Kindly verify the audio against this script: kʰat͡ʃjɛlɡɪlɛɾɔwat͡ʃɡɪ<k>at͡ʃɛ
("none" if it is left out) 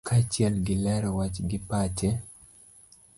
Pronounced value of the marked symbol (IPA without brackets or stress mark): p